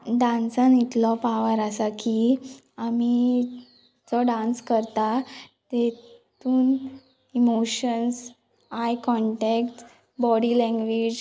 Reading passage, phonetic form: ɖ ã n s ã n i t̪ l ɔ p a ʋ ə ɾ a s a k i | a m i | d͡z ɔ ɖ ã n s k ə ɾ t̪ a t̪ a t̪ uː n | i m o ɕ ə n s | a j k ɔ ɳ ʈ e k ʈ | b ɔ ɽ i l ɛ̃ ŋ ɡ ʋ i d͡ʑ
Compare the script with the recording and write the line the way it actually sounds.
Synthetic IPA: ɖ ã n s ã n i t̪ l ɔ p a ʋ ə ɾ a s a k i | a m i | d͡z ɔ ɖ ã n s k ə ɾ t̪ a t̪ e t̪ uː n | i m o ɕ ə n s | a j k ɔ ɳ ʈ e k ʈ | b ɔ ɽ i l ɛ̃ ŋ ɡ ʋ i d͡ʑ